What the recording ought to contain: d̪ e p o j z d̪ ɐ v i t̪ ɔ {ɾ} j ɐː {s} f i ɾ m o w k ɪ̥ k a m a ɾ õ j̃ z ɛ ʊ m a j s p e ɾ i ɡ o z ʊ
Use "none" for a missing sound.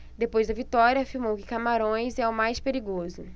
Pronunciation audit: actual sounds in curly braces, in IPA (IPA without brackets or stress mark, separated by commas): ɾ, none